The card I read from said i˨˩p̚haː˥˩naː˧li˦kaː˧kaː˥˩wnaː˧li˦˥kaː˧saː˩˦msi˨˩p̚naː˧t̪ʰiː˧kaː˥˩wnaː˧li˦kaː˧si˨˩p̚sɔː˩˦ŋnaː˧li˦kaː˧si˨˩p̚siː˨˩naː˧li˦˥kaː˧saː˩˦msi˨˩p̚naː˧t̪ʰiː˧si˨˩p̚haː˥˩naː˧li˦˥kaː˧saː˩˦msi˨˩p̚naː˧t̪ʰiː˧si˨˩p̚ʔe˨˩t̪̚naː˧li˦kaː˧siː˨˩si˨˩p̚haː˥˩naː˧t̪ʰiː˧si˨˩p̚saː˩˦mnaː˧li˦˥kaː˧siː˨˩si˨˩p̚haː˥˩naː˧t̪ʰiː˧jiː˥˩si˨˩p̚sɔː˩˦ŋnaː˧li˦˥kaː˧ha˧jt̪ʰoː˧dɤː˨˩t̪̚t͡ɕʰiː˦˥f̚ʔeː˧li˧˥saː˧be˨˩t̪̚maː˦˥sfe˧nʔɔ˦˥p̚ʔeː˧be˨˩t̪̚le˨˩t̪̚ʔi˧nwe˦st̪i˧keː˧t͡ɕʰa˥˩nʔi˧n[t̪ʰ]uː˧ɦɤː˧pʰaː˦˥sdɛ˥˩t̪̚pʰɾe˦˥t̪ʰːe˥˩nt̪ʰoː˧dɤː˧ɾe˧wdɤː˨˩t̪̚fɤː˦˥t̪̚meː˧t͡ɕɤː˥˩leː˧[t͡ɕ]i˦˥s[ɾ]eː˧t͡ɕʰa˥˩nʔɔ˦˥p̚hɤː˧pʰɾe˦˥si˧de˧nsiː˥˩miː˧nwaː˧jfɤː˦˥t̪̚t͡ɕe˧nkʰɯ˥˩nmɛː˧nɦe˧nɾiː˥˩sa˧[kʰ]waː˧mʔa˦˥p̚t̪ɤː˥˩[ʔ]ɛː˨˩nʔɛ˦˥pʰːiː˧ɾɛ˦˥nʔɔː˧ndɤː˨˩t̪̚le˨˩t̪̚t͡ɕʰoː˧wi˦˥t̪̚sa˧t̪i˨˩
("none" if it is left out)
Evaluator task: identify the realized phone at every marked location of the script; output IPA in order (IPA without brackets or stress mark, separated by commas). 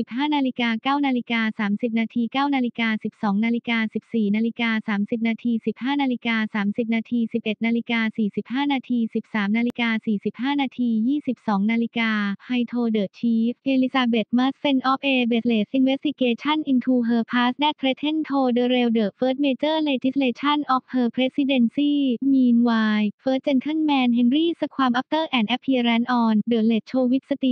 t̪ʰ, t͡ɕ, l, kʰ, ʔ